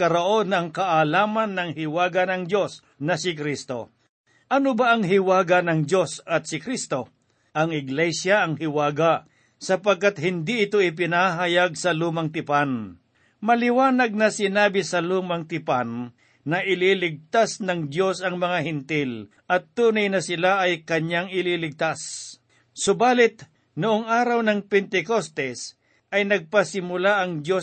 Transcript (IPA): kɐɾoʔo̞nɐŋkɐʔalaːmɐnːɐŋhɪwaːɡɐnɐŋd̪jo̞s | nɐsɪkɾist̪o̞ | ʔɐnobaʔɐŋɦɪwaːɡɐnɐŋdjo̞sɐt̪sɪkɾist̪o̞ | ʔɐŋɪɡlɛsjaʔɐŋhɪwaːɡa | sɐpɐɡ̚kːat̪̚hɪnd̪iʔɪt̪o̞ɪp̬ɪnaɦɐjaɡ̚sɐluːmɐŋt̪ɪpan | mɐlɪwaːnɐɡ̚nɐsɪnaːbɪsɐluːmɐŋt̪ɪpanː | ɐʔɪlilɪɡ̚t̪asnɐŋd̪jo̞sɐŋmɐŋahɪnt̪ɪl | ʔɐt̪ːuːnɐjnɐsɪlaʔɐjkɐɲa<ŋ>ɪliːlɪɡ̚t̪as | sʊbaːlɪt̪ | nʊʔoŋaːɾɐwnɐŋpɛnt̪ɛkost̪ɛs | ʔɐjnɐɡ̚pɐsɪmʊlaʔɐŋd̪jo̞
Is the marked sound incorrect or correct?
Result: correct